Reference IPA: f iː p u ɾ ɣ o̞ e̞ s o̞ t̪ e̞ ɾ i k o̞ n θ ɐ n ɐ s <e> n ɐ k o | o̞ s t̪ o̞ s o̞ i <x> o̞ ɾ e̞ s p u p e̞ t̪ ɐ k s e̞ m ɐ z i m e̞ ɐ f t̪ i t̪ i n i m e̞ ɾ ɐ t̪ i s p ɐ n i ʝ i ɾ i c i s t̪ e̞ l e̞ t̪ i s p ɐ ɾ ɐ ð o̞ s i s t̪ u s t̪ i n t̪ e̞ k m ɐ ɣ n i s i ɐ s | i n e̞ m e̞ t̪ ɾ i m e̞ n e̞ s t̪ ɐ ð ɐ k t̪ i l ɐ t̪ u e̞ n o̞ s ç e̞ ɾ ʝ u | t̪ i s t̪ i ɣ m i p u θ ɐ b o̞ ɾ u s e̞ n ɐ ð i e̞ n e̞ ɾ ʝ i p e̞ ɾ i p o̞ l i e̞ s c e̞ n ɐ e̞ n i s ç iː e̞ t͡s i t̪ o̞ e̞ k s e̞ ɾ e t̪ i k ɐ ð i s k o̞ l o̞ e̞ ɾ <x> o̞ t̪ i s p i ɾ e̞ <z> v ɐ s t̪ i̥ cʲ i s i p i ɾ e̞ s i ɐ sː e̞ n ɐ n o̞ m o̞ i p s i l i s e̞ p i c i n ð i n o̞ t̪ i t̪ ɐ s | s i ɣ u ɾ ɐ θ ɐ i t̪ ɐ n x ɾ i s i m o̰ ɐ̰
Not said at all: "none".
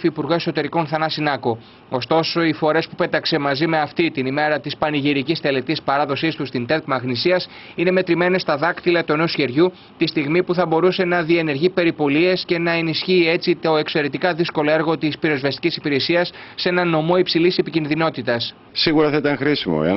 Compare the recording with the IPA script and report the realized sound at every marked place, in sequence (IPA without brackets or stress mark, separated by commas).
i, f, ɣ, z